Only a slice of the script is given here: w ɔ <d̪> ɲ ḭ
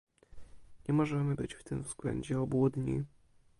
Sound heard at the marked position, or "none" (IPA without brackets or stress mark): d̪